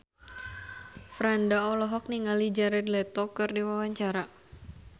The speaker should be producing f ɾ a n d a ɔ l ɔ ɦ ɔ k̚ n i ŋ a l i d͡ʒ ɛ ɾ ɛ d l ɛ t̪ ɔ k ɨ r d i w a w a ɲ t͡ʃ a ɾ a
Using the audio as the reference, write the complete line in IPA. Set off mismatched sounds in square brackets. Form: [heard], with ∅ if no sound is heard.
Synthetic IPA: f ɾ a n d a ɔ l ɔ ɦ ɔ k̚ n i ŋ a l i d͡ʒ [a] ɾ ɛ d l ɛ t̪ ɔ k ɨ r d i w a w a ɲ t͡ʃ a ɾ a